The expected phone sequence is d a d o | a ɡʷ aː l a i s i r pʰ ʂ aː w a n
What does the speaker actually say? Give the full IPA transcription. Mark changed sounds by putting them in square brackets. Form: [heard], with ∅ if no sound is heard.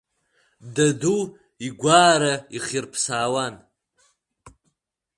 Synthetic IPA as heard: d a d [u] | [i] ɡʷ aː [ɾ] a i [χ] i r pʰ [s] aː w a n